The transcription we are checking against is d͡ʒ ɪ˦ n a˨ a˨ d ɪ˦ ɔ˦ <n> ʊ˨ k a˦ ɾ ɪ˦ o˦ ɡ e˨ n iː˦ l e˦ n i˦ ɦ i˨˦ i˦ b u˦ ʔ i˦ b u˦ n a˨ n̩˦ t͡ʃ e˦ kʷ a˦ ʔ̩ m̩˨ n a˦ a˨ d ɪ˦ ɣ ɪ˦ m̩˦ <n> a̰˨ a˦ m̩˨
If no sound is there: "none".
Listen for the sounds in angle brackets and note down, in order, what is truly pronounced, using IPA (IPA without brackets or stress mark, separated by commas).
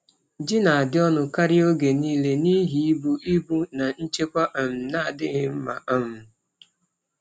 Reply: n, m